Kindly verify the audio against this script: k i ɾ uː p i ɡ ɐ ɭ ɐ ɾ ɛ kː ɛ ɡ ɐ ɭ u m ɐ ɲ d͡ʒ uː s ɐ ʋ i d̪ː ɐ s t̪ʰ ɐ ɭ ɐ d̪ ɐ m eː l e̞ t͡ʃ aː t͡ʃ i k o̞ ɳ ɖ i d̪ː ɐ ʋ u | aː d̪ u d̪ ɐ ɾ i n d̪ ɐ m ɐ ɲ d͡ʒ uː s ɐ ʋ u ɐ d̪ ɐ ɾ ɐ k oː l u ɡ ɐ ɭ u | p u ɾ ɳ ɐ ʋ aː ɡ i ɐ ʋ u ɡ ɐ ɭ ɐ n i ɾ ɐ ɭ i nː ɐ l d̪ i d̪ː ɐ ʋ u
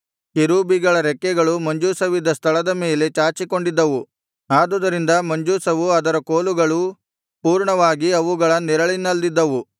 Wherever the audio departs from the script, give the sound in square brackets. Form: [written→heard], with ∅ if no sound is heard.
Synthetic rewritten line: k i ɾ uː [p→b] i ɡ ɐ ɭ ɐ ɾ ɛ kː ɛ ɡ ɐ ɭ u m ɐ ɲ d͡ʒ uː s ɐ ʋ i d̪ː ɐ s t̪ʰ ɐ ɭ ɐ d̪ ɐ m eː l e̞ t͡ʃ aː t͡ʃ i k o̞ ɳ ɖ i d̪ː ɐ ʋ u | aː d̪ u d̪ ɐ ɾ i n d̪ ɐ m ɐ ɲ d͡ʒ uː s ɐ ʋ u ɐ d̪ ɐ ɾ ɐ k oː l u ɡ ɐ ɭ u | p [u→uː] ɾ ɳ ɐ ʋ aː ɡ i ɐ ʋ u ɡ ɐ ɭ ɐ n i ɾ ɐ ɭ i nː ɐ l d̪ i d̪ː ɐ ʋ u